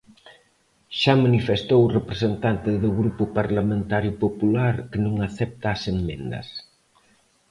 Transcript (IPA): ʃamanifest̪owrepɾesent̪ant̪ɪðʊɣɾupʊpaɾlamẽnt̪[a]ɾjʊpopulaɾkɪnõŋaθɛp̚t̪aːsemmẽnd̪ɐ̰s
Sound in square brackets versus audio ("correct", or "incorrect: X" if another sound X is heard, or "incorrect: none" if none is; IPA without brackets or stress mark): correct